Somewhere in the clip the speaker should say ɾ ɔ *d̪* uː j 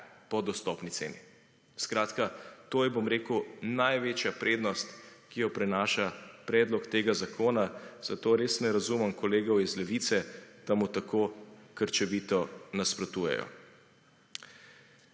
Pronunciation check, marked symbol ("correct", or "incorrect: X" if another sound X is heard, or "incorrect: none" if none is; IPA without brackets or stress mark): incorrect: t̪